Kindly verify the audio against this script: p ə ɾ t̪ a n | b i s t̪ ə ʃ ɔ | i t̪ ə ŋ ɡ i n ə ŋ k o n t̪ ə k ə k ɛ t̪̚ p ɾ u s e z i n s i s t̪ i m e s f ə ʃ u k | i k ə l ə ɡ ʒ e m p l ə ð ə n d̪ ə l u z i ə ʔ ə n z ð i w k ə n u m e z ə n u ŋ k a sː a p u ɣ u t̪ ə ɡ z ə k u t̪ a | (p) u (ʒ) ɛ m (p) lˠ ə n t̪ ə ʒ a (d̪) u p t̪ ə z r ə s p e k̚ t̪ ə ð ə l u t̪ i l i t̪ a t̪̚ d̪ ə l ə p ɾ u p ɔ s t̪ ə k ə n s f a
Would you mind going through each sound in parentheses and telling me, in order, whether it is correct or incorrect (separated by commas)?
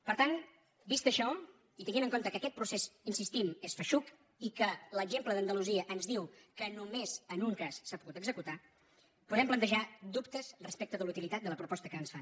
correct, incorrect, correct, correct